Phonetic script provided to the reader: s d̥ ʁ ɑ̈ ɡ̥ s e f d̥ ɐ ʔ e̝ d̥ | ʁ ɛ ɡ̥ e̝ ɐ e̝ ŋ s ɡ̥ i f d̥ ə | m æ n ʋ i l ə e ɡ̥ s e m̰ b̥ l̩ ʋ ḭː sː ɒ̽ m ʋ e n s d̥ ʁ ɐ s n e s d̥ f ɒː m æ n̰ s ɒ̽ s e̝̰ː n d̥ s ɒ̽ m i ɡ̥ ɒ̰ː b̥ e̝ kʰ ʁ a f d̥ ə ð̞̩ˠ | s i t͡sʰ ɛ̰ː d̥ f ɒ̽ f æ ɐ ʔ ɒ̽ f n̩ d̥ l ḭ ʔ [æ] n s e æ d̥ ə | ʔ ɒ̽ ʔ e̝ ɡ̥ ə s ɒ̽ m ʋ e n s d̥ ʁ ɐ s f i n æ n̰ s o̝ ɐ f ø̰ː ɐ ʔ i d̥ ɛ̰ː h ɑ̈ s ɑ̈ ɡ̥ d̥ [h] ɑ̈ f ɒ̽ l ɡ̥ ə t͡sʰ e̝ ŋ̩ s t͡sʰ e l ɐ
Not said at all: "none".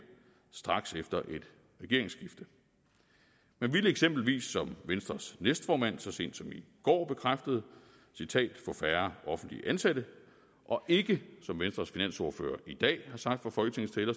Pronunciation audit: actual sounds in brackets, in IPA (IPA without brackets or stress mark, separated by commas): æ, f